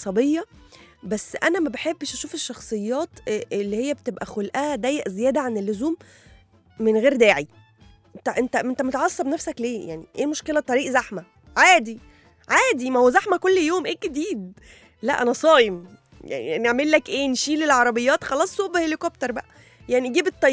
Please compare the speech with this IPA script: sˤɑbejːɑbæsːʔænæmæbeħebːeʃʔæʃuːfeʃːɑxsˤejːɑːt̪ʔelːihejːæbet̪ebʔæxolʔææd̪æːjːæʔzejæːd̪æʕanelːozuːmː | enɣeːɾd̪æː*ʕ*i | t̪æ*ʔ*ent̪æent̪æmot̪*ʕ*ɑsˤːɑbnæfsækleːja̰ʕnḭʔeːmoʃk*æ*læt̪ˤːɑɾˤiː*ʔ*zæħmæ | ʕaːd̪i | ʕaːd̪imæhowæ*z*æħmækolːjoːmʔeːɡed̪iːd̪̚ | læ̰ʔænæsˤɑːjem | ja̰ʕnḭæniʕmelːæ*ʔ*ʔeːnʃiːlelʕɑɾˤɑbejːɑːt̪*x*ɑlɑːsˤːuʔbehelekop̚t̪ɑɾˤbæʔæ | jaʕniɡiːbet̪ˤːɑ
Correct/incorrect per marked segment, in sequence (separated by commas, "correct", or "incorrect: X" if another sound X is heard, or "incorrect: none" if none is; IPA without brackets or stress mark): correct, correct, correct, incorrect: e, correct, correct, incorrect: k, correct